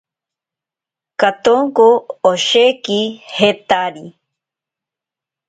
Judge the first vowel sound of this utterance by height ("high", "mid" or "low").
low